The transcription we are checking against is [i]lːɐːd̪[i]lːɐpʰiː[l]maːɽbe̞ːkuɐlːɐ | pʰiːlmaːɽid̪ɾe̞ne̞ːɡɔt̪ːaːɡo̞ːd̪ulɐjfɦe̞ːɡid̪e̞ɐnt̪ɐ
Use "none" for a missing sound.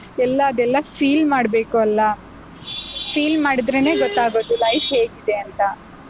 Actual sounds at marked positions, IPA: ɛ, ɛ, l

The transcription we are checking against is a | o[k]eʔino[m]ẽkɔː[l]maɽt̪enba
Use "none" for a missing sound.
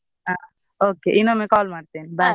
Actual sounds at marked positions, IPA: k, m, l

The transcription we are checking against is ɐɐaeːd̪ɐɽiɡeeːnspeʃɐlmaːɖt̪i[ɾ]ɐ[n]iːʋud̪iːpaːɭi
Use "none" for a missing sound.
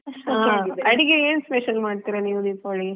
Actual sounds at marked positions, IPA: ɾ, n

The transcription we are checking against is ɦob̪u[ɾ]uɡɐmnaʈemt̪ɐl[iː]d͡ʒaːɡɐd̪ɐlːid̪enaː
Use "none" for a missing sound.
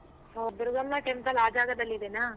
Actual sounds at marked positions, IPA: ɾ, aː

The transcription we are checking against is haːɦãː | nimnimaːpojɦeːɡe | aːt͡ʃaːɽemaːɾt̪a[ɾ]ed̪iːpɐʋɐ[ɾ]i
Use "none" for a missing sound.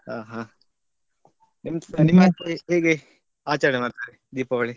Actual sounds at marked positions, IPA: ɾ, ɭ

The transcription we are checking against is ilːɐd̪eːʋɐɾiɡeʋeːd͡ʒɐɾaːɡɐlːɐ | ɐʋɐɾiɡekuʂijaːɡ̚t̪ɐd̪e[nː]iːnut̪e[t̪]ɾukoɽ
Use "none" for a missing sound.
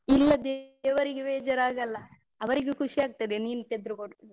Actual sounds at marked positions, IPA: n, d̪

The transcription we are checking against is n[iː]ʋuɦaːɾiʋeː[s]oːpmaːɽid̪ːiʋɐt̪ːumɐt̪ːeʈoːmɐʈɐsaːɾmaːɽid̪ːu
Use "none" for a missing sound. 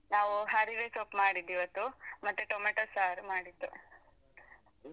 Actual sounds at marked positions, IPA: aː, s

